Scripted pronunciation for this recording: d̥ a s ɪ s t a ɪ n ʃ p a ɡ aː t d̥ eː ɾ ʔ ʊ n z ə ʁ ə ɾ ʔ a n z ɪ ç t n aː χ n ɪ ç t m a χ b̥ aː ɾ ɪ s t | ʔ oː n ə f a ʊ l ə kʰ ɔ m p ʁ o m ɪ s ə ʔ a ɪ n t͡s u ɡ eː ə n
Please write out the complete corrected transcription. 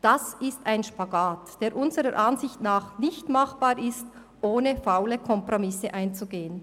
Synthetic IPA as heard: d̥ a s ɪ s t a ɪ n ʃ p a ɡ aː t d̥ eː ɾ ʔ ʊ n z ə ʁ ə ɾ ʔ a n z ɪ ç t n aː χ n ɪ ç t m a χ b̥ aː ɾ ɪ s t | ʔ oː n ə f a ʊ l ə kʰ ɔ m p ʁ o m ɪ s ə ʔ a ɪ n t͡s u ɡ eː ə n